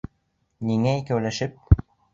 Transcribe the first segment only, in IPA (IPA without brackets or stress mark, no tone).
n